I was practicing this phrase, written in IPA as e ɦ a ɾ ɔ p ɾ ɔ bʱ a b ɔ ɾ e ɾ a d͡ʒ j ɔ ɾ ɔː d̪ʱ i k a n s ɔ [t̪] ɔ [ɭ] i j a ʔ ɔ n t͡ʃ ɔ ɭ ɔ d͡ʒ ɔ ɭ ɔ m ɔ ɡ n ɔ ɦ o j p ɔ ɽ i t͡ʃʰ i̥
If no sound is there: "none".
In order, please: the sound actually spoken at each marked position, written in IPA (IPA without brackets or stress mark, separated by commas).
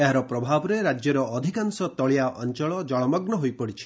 t̪, ɭ